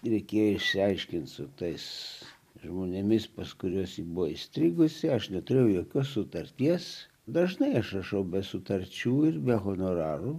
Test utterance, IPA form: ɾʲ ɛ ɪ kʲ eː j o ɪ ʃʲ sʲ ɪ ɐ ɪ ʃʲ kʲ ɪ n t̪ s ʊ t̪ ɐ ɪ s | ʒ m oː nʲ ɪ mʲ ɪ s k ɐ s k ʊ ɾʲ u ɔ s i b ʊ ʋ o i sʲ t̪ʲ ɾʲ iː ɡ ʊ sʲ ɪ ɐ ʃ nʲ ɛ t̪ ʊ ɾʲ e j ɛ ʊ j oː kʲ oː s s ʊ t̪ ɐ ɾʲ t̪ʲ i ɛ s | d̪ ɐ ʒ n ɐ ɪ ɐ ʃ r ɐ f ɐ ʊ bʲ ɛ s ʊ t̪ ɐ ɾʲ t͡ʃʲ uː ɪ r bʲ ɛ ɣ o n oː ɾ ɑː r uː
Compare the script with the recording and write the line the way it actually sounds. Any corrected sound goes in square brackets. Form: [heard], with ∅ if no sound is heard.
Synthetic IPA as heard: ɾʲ ɛ ɪ kʲ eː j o ɪ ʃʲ sʲ ɪ ɐ ɪ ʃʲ kʲ ɪ n t̪ s ʊ t̪ ɐ ɪ s | ʒ m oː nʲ ɪ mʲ ɪ s [p] ɐ s k ʊ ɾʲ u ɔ s i b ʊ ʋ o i sʲ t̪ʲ ɾʲ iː ɡ ʊ sʲ ɪ ɐ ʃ nʲ ɛ t̪ ʊ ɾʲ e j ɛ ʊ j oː kʲ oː s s ʊ t̪ ɐ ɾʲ t̪ʲ i ɛ s | d̪ ɐ ʒ n ɐ ɪ ɐ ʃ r ɐ [ʃ] ɐ ʊ bʲ ɛ s ʊ t̪ ɐ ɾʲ t͡ʃʲ uː ɪ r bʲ ɛ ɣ o n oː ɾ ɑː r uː